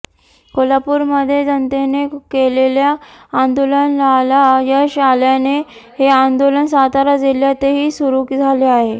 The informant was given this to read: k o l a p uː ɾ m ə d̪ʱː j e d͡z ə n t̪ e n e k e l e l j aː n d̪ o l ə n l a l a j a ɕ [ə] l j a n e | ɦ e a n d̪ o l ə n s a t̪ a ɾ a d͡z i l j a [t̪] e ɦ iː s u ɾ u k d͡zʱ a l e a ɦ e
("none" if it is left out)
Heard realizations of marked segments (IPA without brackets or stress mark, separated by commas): a, t̪